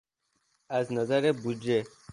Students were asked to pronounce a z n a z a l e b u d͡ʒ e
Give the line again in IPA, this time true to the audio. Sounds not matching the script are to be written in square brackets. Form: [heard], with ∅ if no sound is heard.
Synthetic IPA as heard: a z n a z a [ɾ] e b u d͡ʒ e

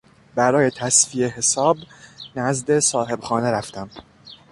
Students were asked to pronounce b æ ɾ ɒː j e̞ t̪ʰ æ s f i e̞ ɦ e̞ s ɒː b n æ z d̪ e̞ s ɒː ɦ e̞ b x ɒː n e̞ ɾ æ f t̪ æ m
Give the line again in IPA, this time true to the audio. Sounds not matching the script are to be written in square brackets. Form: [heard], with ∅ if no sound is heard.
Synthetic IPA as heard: b æ ɾ ɒː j e̞ t̪ʰ æ s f i e̞ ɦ e̞ s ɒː b n æ z d̪ e̞ s ɒː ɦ e̞ b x ɒː n e̞ ɾ æ f t̪ æ m

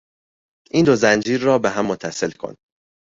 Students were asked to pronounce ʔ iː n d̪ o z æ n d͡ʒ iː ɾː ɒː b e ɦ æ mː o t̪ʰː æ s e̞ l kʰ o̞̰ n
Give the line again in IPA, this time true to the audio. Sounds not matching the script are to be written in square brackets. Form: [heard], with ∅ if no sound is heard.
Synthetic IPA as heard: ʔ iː n d̪ o z æ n d͡ʒ iː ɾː ɒː b e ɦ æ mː o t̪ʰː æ s e̞ l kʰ o̞̰ n

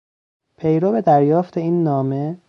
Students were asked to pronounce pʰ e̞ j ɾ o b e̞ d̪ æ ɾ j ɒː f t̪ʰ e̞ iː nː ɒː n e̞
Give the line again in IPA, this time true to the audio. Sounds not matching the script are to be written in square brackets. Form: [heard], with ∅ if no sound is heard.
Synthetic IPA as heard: pʰ e̞ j ɾ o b e̞ d̪ æ ɾ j ɒː f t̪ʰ e̞ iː nː ɒː [m] e̞

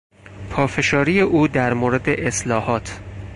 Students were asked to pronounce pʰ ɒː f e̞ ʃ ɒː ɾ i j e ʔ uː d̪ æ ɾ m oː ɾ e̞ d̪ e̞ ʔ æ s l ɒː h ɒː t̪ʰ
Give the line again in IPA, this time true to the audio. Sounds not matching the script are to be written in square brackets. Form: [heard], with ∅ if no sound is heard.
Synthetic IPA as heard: pʰ ɒː f e̞ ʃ ɒː ɾ i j e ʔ uː d̪ æ ɾ m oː ɾ e̞ d̪ e̞ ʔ [e] s l ɒː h ɒː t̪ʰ

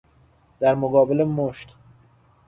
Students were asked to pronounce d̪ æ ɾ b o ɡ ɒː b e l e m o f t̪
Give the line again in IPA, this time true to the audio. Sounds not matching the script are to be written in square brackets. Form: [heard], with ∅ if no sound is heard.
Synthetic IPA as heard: d̪ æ ɾ [m] o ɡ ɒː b e l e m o [ʃ] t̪

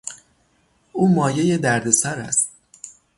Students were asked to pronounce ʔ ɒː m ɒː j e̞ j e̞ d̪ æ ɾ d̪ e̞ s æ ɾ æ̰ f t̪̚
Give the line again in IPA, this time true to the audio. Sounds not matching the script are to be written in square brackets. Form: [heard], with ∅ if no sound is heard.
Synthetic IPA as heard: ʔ [uː] m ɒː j e̞ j e̞ d̪ æ ɾ d̪ e̞ s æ ɾ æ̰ [s] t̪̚

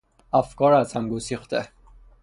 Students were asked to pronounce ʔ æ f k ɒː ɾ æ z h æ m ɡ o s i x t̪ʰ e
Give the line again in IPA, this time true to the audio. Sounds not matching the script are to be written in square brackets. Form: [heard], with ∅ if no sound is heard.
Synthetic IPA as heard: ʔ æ f k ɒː ɾ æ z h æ m ɡ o s i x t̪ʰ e

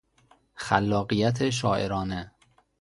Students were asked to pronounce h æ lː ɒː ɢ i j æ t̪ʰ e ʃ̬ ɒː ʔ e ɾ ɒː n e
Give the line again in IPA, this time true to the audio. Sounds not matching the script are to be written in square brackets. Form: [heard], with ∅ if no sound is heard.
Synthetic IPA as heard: [x] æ lː ɒː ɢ i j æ t̪ʰ e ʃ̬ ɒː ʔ e ɾ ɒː n e

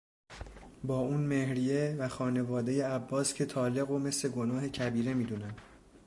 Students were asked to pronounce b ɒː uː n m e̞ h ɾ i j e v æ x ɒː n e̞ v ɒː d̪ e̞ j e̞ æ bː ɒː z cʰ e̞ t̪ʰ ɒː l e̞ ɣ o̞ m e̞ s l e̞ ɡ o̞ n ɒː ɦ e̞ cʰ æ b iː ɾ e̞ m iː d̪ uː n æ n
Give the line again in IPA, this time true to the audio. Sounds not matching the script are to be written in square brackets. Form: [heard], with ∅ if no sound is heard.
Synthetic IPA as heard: b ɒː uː n m e̞ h ɾ i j e v æ x ɒː n e̞ v ɒː d̪ e̞ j e̞ æ bː ɒː [s] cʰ e̞ t̪ʰ ɒː l e̞ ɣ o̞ m e̞ s l e̞ ɡ o̞ n ɒː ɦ e̞ cʰ æ b iː ɾ e̞ m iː d̪ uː n æ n

